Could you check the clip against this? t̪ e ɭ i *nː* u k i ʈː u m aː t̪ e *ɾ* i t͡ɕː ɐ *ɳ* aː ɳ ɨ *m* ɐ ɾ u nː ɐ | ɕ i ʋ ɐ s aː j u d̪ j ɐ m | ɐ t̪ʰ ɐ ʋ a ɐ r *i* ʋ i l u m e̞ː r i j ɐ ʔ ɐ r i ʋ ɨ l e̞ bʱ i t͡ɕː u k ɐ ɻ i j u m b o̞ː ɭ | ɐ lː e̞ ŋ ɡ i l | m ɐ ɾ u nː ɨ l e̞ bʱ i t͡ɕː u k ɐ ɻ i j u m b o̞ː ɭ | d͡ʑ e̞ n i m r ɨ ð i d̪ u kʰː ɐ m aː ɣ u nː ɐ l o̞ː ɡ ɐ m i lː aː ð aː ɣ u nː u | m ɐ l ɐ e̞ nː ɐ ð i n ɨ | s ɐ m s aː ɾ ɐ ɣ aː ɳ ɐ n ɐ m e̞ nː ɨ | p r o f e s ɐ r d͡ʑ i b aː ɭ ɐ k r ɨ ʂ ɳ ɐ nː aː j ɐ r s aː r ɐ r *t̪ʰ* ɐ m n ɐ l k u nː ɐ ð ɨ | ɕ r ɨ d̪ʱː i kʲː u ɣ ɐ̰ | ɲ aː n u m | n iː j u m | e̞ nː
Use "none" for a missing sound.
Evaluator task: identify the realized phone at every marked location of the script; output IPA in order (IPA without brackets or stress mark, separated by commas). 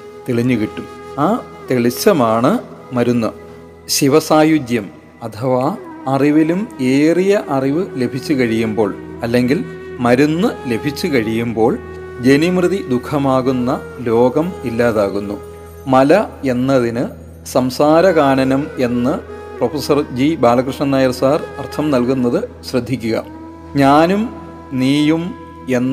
ɲː, ɭ, m, m, i, t̪ʰ